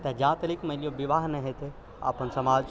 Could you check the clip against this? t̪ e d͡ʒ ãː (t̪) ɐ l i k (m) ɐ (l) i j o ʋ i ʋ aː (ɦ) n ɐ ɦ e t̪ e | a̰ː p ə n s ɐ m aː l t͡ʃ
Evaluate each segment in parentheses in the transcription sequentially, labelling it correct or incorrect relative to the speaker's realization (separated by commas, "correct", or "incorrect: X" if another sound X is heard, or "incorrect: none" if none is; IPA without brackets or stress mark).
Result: correct, correct, correct, correct